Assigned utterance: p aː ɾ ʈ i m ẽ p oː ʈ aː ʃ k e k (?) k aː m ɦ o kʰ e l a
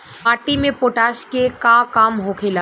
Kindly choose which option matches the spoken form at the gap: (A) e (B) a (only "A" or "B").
B